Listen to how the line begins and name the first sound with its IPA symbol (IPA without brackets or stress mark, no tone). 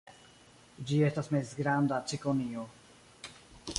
d͡ʒ